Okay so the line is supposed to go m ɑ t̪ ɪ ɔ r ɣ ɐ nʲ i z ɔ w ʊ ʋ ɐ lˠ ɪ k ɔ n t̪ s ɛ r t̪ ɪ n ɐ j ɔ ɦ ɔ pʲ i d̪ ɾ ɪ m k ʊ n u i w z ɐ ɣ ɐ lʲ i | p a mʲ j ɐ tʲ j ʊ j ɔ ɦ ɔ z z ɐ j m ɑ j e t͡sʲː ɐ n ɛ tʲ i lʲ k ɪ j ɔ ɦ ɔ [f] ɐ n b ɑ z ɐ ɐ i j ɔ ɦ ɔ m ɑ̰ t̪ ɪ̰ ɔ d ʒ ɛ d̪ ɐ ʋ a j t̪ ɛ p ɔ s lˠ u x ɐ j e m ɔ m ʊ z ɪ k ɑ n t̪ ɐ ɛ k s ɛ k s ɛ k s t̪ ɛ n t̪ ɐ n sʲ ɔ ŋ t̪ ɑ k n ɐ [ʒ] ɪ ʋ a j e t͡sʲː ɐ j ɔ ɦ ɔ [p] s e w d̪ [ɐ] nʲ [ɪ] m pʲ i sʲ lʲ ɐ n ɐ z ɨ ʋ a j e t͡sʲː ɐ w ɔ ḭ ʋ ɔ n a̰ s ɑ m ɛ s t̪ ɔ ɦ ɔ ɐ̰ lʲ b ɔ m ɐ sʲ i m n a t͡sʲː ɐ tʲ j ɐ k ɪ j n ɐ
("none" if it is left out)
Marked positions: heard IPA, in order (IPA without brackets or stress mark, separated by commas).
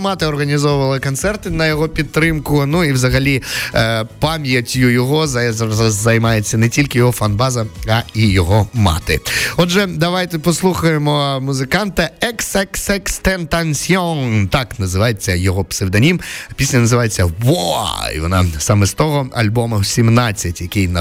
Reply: f, z, p, ɐ, i